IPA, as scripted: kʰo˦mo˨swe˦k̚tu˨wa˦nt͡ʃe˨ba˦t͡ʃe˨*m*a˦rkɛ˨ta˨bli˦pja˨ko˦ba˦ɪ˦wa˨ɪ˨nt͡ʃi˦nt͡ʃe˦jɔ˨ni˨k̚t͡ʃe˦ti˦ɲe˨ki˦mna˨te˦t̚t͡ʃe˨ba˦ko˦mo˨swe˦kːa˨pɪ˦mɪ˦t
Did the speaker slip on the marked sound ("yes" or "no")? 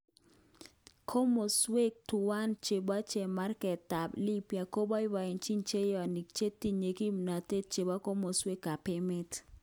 no